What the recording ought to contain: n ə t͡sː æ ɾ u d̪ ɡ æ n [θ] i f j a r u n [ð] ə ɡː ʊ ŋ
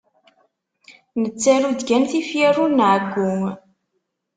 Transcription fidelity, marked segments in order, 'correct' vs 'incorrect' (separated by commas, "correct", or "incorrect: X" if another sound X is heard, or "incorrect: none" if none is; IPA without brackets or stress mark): correct, incorrect: ʕ